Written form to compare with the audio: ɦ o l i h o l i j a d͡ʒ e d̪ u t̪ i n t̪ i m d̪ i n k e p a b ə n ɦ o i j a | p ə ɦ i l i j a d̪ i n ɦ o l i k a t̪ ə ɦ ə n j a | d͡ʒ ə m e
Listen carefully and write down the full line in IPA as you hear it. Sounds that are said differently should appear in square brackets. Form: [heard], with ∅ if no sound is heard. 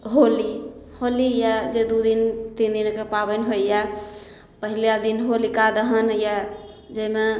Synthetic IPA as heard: ɦ o l i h o l i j a d͡ʒ e d̪ u [d̪] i n t̪ i [n] d̪ i n k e p a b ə n ɦ o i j a | p ə ɦ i l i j a d̪ i n ɦ o l i k a [d̪] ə ɦ ə n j a | d͡ʒ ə m e